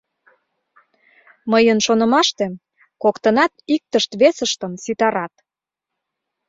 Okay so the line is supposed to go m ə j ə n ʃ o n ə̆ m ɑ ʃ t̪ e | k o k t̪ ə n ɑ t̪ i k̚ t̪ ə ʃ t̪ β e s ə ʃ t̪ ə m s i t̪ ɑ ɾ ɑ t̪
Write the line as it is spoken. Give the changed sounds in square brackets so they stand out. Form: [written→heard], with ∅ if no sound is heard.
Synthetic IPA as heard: m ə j ə n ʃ o n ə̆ m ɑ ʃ t̪ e | k o k t̪ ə n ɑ t̪ i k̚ t̪ ə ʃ t̪ β e s ə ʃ t̪ ə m s i t̪ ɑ ɾ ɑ t̪